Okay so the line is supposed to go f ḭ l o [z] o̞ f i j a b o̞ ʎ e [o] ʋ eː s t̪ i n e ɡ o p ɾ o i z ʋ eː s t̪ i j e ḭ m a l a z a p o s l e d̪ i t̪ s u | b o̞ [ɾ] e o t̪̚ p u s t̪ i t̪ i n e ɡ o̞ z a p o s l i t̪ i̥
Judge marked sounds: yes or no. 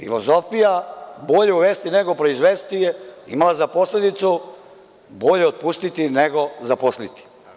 yes, no, no

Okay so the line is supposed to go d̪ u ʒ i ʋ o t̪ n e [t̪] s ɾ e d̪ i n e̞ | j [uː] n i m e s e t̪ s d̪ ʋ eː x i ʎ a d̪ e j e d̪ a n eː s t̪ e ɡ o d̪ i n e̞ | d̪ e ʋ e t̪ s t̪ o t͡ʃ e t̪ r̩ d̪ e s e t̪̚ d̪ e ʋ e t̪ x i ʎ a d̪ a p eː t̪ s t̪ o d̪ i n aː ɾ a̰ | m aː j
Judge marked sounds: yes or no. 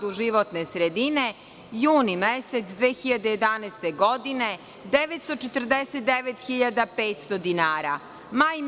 no, yes

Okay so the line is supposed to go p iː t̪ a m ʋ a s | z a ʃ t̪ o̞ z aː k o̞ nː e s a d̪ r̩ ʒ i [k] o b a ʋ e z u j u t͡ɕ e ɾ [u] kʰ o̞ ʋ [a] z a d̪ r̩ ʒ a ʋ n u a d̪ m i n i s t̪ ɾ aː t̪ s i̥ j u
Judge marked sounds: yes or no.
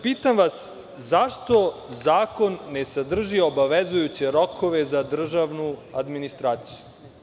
no, no, no

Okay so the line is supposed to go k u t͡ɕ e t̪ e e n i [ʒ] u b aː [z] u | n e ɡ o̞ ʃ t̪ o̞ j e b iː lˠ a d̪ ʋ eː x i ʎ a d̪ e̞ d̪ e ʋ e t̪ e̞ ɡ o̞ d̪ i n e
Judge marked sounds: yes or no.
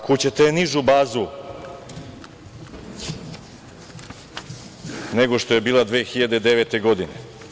yes, yes

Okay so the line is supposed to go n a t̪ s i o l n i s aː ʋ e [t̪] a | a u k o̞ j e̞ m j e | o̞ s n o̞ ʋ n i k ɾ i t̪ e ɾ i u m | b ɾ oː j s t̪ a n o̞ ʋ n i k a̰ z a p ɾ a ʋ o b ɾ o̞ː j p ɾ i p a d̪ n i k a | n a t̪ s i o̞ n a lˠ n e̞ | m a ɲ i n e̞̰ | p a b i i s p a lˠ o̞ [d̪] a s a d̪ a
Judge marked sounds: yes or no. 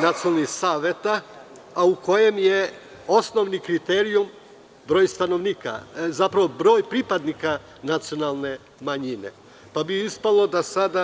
yes, yes

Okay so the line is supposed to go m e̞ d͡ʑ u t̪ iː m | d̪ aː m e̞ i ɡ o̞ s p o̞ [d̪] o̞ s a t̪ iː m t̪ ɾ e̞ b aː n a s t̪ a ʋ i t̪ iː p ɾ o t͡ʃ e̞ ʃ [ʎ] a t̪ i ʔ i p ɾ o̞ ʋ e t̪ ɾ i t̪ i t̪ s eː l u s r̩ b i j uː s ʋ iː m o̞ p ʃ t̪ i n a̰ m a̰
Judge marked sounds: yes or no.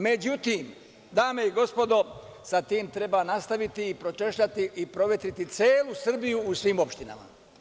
yes, yes

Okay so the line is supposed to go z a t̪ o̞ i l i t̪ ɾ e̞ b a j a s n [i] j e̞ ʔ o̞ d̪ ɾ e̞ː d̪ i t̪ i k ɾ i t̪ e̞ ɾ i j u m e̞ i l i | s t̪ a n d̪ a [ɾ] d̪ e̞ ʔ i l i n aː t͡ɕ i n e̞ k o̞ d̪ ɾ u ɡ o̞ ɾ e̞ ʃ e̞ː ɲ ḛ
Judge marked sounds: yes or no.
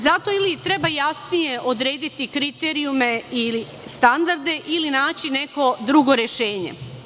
yes, yes

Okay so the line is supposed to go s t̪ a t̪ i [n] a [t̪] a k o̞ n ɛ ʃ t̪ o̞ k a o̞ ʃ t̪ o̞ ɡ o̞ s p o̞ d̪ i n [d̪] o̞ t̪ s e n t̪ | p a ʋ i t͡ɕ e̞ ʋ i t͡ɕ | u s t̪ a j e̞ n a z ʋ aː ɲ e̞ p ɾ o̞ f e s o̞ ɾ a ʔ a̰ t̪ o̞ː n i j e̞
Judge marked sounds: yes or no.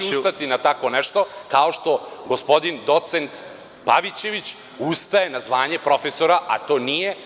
yes, yes, yes

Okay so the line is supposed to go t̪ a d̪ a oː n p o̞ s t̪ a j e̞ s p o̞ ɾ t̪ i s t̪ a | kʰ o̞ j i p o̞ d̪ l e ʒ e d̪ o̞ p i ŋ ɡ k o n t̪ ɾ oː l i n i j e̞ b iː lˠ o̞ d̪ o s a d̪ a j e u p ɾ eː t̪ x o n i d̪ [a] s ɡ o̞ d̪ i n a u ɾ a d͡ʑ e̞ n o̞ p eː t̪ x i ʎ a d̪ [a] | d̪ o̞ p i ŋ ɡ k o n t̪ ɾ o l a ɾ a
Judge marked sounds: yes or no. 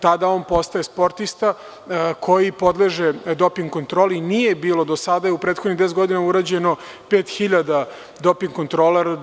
no, yes

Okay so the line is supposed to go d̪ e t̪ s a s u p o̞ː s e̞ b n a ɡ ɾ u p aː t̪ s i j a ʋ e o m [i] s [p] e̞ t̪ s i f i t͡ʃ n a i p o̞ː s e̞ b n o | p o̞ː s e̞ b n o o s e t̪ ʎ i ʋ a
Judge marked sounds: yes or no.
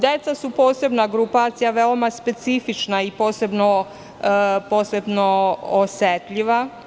no, yes

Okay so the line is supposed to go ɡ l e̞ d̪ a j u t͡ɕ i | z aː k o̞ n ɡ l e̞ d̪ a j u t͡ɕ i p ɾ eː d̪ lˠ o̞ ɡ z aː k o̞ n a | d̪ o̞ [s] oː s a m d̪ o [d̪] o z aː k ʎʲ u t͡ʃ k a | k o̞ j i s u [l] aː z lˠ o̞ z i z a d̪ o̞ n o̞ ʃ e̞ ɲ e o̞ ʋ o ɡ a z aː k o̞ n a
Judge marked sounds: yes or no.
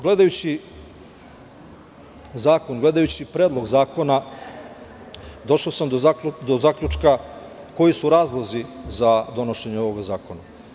no, yes, no

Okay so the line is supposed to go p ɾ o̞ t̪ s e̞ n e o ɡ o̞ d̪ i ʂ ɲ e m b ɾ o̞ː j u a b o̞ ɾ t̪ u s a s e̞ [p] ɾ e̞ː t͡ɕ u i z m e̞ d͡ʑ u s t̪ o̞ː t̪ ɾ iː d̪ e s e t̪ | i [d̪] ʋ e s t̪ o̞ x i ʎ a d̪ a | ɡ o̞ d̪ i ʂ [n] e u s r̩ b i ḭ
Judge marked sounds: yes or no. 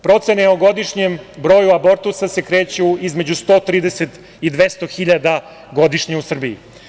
no, yes, no

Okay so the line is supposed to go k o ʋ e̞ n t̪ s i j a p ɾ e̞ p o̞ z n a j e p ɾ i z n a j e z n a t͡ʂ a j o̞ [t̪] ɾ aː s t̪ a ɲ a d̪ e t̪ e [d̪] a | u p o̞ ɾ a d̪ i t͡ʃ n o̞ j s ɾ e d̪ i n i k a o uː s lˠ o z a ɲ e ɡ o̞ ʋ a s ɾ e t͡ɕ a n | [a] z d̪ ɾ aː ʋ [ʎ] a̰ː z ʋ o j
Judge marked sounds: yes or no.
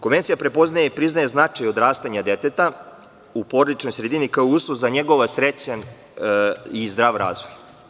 no, no, no, no

